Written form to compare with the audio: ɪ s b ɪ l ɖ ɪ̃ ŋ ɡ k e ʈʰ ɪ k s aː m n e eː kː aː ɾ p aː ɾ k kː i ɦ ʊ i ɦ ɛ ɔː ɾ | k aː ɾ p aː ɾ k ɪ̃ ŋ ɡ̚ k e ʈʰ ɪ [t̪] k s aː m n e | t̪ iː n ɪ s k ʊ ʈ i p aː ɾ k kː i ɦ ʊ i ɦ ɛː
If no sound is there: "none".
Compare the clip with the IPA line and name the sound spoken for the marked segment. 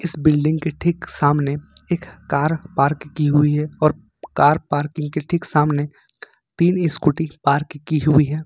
none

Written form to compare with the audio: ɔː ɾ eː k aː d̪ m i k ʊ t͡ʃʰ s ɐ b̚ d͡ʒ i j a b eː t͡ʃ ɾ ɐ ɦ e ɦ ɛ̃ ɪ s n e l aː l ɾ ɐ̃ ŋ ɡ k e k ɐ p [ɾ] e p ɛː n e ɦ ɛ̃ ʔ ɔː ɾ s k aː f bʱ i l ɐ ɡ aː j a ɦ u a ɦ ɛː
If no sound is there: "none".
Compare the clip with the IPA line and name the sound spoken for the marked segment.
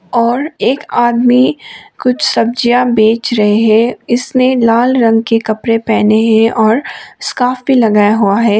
ɾ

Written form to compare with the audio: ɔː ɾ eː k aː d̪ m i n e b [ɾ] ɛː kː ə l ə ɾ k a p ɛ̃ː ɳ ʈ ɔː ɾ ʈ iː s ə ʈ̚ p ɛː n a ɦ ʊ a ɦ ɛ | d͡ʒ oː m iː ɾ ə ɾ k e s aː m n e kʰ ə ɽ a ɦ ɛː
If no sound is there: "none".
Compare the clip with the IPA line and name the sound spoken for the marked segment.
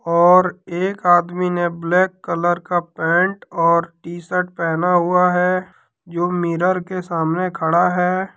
l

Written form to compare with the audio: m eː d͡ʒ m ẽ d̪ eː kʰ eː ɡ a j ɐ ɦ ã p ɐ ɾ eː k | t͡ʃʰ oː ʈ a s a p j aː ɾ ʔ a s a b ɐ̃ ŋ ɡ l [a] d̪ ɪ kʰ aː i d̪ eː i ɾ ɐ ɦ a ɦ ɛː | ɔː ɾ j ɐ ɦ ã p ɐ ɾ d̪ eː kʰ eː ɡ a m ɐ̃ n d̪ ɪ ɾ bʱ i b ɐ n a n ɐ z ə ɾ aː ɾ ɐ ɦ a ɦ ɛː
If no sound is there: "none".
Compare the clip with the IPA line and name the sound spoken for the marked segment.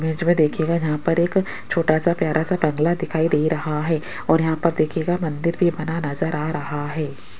a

